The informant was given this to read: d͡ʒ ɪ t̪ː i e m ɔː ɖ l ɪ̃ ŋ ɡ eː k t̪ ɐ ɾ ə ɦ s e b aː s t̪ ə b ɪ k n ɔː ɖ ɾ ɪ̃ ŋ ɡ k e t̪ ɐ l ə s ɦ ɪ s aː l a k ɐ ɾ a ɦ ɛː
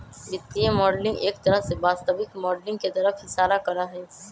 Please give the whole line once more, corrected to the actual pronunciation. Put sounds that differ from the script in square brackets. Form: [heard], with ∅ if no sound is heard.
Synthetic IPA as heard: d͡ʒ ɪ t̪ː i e m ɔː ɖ l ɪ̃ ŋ ɡ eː k t̪ ɐ ɾ ə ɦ s e b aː s t̪ ə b ɪ k [m] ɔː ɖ [l] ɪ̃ ŋ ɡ k e t̪ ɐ [ɾ] ə [f] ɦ ɪ s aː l a k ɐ ɾ a ɦ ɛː

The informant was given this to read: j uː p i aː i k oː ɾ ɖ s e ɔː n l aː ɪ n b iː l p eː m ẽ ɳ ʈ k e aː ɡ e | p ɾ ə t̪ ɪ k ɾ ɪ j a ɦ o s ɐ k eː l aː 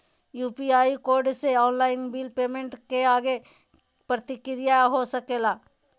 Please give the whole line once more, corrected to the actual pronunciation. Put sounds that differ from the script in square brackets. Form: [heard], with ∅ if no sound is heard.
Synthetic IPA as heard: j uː p i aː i k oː ɾ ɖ s e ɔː n l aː ɪ n b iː l p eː m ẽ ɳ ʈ k e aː ɡ e | p ɾ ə t̪ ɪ k ɾ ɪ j a ɦ o s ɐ k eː l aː

